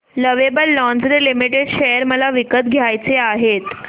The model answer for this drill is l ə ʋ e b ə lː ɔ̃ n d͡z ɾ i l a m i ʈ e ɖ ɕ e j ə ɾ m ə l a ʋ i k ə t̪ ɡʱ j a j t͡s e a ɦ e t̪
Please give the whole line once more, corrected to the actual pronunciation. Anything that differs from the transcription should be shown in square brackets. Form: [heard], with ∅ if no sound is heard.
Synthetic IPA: l ə ʋ e b ə lː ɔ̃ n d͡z ɾ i l [i] m i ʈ e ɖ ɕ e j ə ɾ m ə l a ʋ i k ə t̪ ɡʱ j a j t͡s e a ɦ e t̪